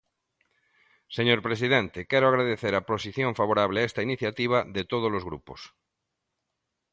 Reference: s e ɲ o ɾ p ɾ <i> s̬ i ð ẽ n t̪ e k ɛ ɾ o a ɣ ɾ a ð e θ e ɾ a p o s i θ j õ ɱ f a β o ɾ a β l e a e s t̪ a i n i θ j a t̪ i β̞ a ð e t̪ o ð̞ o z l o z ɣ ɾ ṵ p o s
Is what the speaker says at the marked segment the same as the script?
no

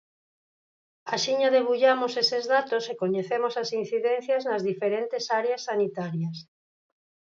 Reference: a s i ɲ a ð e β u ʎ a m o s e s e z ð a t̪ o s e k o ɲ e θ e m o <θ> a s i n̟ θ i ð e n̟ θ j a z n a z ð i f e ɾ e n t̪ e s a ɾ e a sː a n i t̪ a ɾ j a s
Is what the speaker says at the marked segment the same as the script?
no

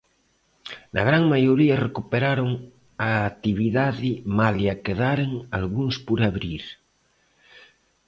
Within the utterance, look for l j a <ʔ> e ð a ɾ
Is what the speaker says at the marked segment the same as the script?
no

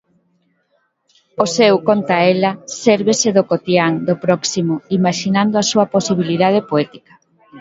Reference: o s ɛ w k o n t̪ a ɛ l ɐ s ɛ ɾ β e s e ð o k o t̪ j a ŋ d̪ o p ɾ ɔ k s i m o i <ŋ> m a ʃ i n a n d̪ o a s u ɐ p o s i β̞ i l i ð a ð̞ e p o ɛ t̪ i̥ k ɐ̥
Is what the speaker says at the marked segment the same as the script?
no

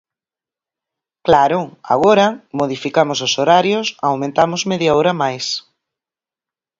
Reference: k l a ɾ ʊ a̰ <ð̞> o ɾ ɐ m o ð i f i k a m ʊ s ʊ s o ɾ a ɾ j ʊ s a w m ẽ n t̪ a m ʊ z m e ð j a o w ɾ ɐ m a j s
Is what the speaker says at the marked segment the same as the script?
no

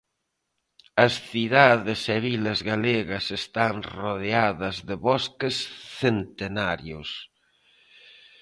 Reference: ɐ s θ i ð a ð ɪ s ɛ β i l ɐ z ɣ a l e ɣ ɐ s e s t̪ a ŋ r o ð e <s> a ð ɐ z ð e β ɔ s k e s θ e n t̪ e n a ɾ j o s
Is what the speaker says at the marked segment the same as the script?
no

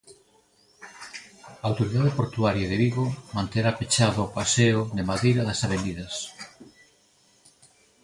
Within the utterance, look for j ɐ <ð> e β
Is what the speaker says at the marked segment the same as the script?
yes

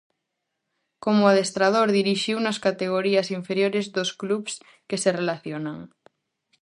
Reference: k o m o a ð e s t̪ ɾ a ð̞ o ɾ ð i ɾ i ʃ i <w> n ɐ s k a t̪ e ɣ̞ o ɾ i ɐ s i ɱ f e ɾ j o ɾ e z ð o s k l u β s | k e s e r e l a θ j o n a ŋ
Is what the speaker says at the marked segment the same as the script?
yes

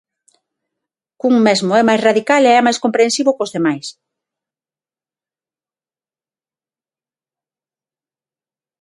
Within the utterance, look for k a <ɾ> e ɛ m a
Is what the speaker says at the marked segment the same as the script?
no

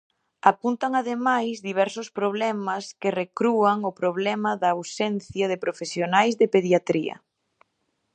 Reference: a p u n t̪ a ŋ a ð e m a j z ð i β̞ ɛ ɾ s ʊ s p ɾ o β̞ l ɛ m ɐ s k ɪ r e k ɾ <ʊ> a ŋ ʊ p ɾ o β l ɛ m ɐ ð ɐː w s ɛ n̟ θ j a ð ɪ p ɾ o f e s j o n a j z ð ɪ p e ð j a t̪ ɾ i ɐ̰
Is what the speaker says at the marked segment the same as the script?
no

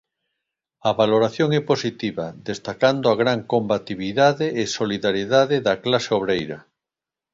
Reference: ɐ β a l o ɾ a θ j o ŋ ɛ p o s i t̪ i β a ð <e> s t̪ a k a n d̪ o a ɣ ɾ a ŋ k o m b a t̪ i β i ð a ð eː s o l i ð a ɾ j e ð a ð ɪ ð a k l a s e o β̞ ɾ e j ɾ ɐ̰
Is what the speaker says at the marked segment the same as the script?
yes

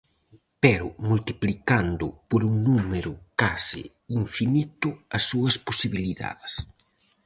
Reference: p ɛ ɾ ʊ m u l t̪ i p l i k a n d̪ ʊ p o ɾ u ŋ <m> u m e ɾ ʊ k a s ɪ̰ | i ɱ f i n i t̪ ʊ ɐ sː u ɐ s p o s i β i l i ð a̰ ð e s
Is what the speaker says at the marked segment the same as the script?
no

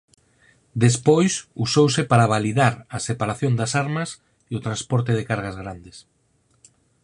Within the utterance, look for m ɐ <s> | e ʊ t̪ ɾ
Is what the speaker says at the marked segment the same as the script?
yes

